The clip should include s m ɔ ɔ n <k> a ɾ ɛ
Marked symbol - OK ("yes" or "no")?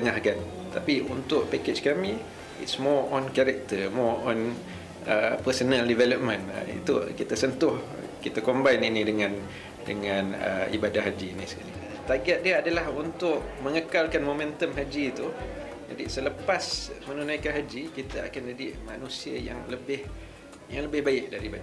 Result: yes